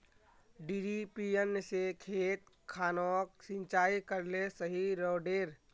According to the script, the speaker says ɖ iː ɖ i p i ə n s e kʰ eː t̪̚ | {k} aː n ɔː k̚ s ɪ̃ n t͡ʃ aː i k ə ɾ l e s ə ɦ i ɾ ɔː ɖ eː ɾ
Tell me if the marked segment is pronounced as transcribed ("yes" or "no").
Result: no